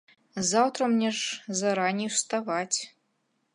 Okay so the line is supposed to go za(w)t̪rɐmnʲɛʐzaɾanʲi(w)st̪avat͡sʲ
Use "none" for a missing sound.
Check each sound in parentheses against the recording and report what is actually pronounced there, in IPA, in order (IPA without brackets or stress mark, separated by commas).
w, w